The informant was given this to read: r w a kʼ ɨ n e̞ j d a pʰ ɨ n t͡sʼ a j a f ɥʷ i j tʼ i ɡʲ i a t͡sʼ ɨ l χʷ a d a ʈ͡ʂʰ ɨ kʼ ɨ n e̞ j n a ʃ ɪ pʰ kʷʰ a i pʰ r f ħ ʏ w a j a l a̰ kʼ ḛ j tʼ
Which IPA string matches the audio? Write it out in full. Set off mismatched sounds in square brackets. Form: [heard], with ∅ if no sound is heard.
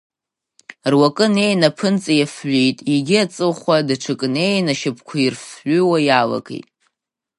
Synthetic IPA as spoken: r w a kʼ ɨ n e̞ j [n] a pʰ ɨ n t͡sʼ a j a f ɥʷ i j tʼ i ɡʲ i a t͡sʼ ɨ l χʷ a d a ʈ͡ʂʰ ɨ kʼ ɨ n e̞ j n a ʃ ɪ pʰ kʷʰ a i [∅] r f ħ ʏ w a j a l a̰ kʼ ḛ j tʼ

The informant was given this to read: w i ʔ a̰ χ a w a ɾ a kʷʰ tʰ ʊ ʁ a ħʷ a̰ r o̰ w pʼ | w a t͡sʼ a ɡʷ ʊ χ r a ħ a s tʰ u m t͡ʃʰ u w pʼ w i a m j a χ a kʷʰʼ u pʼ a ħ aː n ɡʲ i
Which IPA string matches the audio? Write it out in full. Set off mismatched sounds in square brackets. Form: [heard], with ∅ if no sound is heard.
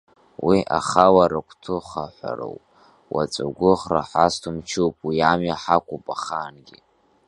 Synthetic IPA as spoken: w i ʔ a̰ χ a w a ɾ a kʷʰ tʰ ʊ [χ] a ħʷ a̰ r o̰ w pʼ | w a t͡sʼ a ɡʷ ʊ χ r a ħ a s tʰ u m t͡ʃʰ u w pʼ w i a m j a [ħ] a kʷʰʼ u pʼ a [χ] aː n ɡʲ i

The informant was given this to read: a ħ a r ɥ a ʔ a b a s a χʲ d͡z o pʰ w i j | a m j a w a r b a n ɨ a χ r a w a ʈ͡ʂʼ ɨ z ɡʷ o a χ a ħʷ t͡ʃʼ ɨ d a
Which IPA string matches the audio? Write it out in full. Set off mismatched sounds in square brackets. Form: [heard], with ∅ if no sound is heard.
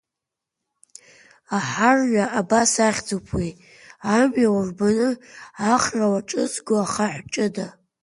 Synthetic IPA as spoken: a ħ a r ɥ a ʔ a b a s a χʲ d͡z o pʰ w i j | a m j a w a r b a n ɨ a χ r a w a ʈ͡ʂʼ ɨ z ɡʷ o a χ a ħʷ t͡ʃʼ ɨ d a

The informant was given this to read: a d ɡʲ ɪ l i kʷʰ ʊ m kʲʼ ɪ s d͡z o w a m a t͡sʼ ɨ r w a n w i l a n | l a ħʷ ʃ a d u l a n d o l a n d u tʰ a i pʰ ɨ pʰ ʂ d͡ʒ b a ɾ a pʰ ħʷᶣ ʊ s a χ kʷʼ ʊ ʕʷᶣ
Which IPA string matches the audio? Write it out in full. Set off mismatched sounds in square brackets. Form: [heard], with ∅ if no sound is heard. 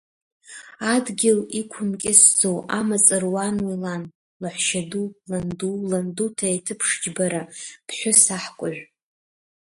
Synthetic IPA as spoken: a d ɡʲ ɪ l i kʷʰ ʊ m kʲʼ ɪ s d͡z o w a m a t͡sʼ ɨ r w a n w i l a n | l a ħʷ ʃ a d u l a n d [u] l a n d u tʰ a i [tʰ] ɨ pʰ ʂ d͡ʒ b a ɾ a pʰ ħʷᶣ ʊ s a [ħ] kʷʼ ʊ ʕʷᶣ

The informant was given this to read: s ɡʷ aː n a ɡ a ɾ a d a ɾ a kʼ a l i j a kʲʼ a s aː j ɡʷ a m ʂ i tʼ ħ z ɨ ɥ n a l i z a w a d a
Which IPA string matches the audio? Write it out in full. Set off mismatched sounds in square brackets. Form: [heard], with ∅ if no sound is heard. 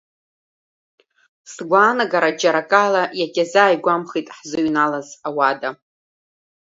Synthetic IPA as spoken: s ɡʷ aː n a ɡ a ɾ a [d͡ʒ] a ɾ a kʼ a l [a] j a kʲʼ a [z] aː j ɡʷ a m [χ] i tʼ ħ z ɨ ɥ n a l [a] z a w a d a

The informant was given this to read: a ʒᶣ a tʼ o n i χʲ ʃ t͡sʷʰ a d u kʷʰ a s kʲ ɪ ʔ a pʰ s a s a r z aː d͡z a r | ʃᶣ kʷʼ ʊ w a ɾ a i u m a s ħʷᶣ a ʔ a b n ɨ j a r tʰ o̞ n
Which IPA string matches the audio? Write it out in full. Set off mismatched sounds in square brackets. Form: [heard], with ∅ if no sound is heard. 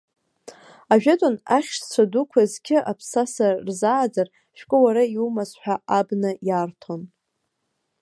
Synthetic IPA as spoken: a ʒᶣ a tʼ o n [a] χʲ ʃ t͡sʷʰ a d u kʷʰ a [z] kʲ ɪ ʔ a pʰ s a s a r z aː d͡z a r | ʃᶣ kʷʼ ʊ w a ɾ a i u m a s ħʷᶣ a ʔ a b n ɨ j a r tʰ o̞ n

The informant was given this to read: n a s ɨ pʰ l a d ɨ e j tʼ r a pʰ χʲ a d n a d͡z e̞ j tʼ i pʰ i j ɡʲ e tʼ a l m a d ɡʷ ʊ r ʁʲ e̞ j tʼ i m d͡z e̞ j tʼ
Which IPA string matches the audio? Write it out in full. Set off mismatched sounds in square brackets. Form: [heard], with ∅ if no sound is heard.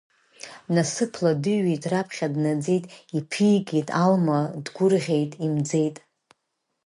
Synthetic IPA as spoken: n a s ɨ pʰ l a d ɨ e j tʼ r a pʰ χʲ a d n a d͡z e̞ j tʼ i pʰ i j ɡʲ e tʼ a l m a d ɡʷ ʊ r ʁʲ e̞ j tʼ i m d͡z e̞ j tʼ

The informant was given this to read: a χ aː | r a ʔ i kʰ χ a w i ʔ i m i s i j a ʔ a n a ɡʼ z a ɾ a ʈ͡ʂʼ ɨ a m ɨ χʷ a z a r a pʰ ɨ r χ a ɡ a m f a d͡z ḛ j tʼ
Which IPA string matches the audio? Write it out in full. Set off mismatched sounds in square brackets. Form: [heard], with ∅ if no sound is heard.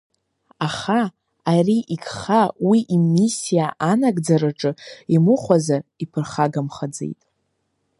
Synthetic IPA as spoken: a χ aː | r [i] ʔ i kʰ χ a w i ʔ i m i s i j a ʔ a n a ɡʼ [d͡z] a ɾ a ʈ͡ʂʼ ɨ [i] m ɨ χʷ a z a r [i] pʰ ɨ r χ a ɡ a m [χ] a d͡z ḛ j tʼ

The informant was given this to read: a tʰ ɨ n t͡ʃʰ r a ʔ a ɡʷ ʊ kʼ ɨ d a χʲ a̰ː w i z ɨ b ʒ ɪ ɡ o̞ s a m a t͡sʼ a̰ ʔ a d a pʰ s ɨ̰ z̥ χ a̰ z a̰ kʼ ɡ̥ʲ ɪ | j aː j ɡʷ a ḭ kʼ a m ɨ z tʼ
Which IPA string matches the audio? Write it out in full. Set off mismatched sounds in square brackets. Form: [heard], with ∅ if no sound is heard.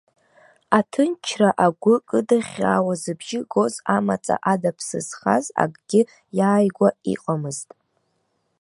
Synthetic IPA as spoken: a tʰ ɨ n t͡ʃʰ r a ʔ a ɡʷ ʊ kʼ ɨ d a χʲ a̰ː w [a] z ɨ b ʒ ɪ ɡ o̞ [z] a m a t͡sʼ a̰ ʔ a d a pʰ s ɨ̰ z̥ χ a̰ z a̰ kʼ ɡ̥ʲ ɪ | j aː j ɡʷ a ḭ [qʼ] a m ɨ z tʼ

